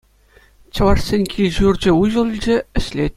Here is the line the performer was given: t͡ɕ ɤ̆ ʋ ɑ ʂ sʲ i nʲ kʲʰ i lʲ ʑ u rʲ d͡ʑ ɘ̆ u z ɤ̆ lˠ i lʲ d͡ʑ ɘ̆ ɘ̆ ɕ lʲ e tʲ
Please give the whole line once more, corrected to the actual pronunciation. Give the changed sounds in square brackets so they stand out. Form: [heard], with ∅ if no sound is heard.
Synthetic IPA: t͡ɕ ɤ̆ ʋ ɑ ʂ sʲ [e] nʲ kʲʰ i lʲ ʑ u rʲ d͡ʑ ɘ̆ u [ʑ] ɤ̆ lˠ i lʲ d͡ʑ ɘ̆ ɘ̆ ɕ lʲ e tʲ